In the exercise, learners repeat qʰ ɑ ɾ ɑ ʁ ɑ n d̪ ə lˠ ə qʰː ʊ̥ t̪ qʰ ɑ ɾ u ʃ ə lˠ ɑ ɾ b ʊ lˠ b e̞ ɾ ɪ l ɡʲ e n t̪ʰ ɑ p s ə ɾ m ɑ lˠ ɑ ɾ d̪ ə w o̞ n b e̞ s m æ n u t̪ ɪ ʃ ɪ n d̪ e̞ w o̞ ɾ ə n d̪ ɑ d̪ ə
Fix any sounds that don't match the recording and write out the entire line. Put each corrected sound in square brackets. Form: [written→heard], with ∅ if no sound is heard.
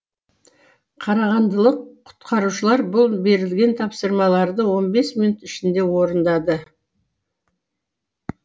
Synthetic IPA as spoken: qʰ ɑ ɾ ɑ ʁ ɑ n d̪ ə lˠ ə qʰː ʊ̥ t̪ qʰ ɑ ɾ u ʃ ə lˠ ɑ ɾ b ʊ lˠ b e̞ ɾ ɪ l ɡʲ e n t̪ʰ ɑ p s ə ɾ m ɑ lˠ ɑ ɾ d̪ ə w o̞ n b e̞ s m [æ→i] n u t̪ ɪ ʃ ɪ n d̪ e̞ w o̞ ɾ ə n d̪ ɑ d̪ ə